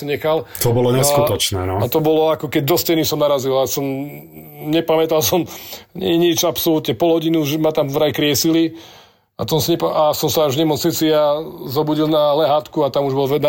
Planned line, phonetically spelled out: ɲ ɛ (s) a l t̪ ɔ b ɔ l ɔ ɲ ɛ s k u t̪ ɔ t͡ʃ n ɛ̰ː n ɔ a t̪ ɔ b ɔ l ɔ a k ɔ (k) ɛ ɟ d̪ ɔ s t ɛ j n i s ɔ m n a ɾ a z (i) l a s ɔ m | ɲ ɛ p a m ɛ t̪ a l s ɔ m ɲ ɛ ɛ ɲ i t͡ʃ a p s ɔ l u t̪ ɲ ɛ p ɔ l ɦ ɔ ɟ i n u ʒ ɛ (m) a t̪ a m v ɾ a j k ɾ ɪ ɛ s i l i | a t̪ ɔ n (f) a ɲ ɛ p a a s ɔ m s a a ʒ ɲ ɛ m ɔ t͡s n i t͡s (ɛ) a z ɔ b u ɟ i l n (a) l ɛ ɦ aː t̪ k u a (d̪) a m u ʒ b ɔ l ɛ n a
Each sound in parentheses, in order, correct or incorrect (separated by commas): incorrect, correct, correct, correct, incorrect, incorrect, correct, incorrect